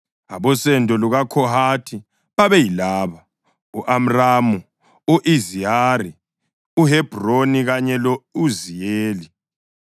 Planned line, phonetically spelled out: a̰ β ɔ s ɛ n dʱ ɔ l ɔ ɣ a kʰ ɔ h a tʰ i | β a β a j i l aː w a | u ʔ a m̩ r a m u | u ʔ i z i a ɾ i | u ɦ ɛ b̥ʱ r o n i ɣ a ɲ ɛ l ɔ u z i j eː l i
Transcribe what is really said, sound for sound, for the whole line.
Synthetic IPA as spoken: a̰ β ɔ s ɛ n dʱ ɔ l u ɣ a kʰ ɔ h a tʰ i | β a β ɛ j i l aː β a | u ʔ a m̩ r a m u | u ʔ i z i a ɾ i | u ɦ ɛ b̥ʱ r o n i ɣ a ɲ ɛ l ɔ u z i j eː l i

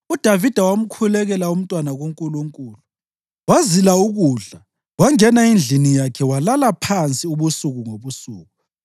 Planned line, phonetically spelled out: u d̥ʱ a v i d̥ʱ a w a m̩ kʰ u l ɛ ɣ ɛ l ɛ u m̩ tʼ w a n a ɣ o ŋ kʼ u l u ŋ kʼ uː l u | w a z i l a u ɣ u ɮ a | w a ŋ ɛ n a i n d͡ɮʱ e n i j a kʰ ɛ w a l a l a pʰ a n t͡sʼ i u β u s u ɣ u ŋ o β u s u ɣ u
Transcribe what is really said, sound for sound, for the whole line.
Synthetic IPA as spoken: u d̥ʱ a v i d̥ʱ a w a m̩ kʰ u l ɛ ɣ ɛ l a u m̩ tʼ w a n a ɣ o ŋ kʼ u l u ŋ kʼ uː l u | w a z i l a u ɣ u ɮ a | w a ŋ ɛ n a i n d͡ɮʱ i n i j a kʰ ɛ w a l a l a pʰ a n t͡sʼ i u β u s u ɣ u ŋ o β u s uː ɣ u

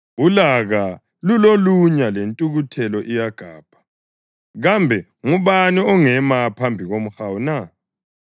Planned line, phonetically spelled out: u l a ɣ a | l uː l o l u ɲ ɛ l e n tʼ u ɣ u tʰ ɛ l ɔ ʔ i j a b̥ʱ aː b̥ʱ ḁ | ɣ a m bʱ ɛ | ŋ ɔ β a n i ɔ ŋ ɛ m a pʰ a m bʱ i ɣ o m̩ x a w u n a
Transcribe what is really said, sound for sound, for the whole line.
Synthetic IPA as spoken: u l a ɣ a | l u l o l u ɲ a l e n tʼ u ɣ u tʰ ɛ l ɔ ʔ i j a ɡ̥ʱ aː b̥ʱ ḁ | ɣ a m bʱ ɛ | ŋ u β a n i ɔ ŋ ɛ m a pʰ a m bʱ i ɣ o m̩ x a w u n a

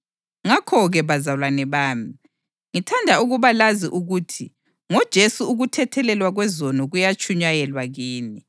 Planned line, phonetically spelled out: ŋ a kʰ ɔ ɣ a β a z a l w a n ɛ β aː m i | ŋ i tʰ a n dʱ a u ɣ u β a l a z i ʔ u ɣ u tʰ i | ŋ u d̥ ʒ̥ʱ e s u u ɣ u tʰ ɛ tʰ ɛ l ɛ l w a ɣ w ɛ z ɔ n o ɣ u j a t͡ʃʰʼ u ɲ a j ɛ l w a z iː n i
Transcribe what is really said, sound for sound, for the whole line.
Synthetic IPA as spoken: ŋ a kʰ ɔ ɣ ɛ β a z a l w a n ɛ β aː m i | ŋ i tʰ a n dʱ a u ɣ u β a l a z i ʔ u ɣ u tʰ i | ŋ ɔ d̥ ʒ̥ʱ e s u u ɣ u tʰ ɛ tʰ ɛ l ɛ l w a ɣ w ɛ z ɔ n ɔ ɣ u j a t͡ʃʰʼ u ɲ a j ɛ l w a ɣ iː n i

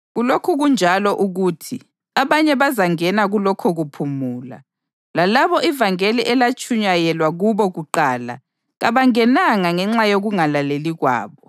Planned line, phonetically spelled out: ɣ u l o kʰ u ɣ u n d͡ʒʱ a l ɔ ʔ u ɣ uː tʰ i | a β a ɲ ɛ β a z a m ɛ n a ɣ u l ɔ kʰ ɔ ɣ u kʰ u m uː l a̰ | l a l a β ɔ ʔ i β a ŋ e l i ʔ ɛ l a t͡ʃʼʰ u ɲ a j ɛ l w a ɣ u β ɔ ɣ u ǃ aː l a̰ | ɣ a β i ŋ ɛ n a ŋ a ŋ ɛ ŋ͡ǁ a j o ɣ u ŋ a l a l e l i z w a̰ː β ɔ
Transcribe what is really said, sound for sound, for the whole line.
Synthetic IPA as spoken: ɣ u l o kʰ u ɣ u n d͡ʒʱ a l ɔ ʔ u ɣ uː tʰ i | a β a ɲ ɛ β a z a ŋ ɛ n a ɣ u l ɔ kʰ ɔ ɣ u pʰ u m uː l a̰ | l a l a β ɔ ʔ i v a ŋ e l i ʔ ɛ l a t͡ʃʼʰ u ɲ a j ɛ l w a ɣ u β ɔ ɣ u ǃ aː l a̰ | ɣ a β a ŋ ɛ n a ŋ a ŋ ɛ ŋ͡ǁ a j o ɣ u ŋ a l a l e l i ɣ w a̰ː β ɔ

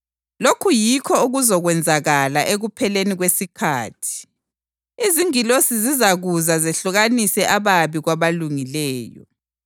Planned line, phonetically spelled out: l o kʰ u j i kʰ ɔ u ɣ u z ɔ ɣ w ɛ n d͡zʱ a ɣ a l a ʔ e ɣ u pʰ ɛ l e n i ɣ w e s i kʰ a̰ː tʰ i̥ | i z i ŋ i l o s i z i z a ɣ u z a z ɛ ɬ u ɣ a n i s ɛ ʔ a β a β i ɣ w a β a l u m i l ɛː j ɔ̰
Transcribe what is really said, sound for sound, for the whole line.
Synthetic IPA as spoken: l o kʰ u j i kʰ ɔ u ɣ u z ɔ ɣ w ɛ n d͡zʱ a ɣ a l a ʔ e ɣ u pʰ ɛ l e n i ɣ w e s i kʰ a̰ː tʰ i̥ | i z i ŋ i l o s i z i z a ɣ u z a z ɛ ɬ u ɣ a n i s ɛ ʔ a β a β i ɣ w a β a l u ŋ i l ɛː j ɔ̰

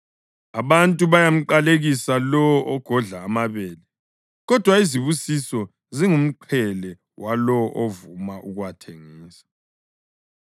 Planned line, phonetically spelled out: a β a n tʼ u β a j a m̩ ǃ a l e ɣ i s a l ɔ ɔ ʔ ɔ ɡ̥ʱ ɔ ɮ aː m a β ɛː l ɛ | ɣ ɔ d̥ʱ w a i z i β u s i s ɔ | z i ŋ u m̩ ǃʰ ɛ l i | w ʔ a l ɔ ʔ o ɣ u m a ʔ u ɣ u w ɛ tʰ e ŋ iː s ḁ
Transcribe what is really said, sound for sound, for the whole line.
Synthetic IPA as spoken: a β a n tʼ u β a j a m̩ ǃ a l e ɣ i s a l ɔ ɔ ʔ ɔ ɡ̥ʱ ɔ ɮ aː m a β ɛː l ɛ | ɣ ɔ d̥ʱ w a i z i β u s i s ɔ | z i ŋ u m̩ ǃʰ ɛ l ɛ | w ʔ a l ɔ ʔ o v u m a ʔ u ɣ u w a tʰ e ŋ iː s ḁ

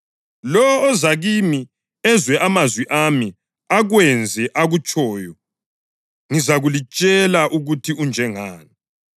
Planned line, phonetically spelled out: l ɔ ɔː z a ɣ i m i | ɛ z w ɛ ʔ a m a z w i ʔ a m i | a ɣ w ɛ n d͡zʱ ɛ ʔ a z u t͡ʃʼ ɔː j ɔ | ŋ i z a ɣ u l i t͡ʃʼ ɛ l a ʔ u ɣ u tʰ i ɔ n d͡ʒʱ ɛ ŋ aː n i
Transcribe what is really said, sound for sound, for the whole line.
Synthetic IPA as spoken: l ɔ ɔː z a ɣ i m i | ɛ z w ɛ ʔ a m a z w i ʔ a m i | a ɣ w ɛ n d͡zʱ ɛ ʔ a ɣ u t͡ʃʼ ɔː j ɔ | ŋ i z a ɣ u l i t͡ʃʼ ɛ l a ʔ u ɣ u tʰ i u n d͡ʒʱ ɛ ŋ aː n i

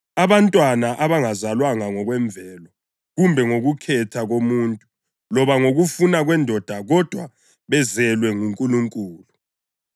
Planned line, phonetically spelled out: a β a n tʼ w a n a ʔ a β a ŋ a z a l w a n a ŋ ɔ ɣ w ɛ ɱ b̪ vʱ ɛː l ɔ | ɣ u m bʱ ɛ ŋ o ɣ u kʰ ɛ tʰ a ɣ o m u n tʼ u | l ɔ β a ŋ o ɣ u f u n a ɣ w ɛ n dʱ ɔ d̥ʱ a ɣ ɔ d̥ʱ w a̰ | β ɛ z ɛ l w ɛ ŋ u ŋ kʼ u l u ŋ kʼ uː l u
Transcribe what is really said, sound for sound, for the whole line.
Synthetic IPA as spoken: a β a n tʼ w a n a ʔ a β a ŋ a z a l w a ŋ a ŋ ɔ ɣ w ɛ ɱ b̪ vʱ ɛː l ɔ | ɣ u m bʱ ɛ ŋ o ɣ u kʰ ɛ tʰ a ɣ o m u n tʼ u | l ɔ β a ŋ o ɣ u f u n a ɣ w ɛ n dʱ ɔ d̥ʱ a ɣ ɔ d̥ʱ w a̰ | β ɛ z ɛ l w ɛ ŋ u ŋ kʼ u l u ŋ kʼ uː l u

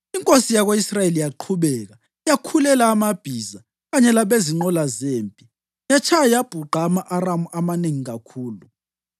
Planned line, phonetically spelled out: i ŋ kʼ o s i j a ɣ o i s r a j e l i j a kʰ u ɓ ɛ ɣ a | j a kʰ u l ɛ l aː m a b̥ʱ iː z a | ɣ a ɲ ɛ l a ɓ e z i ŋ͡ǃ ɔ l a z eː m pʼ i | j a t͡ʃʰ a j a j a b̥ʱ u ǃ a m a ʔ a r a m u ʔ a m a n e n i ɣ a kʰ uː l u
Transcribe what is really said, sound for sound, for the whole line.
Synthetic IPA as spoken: i ŋ kʼ o s i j a ɣ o i s r a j e l i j a ǃʰ u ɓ ɛ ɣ a | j a kʰ u l ɛ l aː m a b̥ʱ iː z a | ɣ a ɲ ɛ l a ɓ e z i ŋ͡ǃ ɔ l a z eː m pʼ i | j a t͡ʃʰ a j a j a b̥ʱ u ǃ a m a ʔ a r a m u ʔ a m a n e ŋ i ɣ a kʰ uː l u

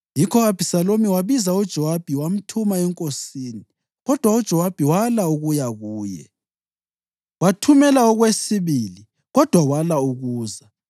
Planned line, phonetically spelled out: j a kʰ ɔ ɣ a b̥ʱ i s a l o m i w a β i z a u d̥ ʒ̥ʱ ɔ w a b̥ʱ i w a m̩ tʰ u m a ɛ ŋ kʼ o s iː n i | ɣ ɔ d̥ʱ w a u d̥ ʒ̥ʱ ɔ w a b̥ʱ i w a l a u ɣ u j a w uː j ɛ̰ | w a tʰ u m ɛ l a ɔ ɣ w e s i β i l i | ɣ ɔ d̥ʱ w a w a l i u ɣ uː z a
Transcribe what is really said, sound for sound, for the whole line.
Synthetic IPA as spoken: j i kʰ ɔ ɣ a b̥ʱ i s a l o m i w a β i z a u d̥ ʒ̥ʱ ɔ w a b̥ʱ i w a m̩ tʰ u m a ɛ ŋ kʼ o s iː n i | ɣ ɔ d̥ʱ w a u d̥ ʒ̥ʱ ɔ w a b̥ʱ i w a l a u ɣ u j a ɣ uː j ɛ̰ | w a tʰ u m ɛ l a ɔ ɣ w e s i β i l i | ɣ ɔ d̥ʱ w a w a l a u ɣ uː z a

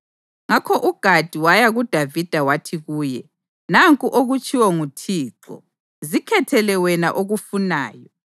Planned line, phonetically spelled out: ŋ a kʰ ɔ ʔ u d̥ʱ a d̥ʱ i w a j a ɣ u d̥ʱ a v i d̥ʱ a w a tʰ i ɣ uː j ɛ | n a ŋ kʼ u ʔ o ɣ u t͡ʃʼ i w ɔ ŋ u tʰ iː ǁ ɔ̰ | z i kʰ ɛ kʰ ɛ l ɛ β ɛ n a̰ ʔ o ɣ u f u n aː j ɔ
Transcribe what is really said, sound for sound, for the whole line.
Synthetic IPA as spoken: ŋ a kʰ ɔ ʔ u ɡ̥ʱ a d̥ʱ i w a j a ɣ u d̥ʱ a v i d̥ʱ a w a tʰ i ɣ uː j ɛ | n a ŋ kʼ u ʔ o ɣ u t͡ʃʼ i w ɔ ŋ u tʰ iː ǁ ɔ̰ | z i kʰ ɛ tʰ ɛ l ɛ w ɛ n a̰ ʔ o ɣ u f u n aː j ɔ

